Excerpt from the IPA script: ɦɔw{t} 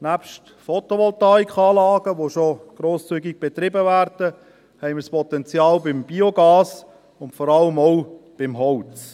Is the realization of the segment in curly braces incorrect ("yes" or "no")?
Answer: yes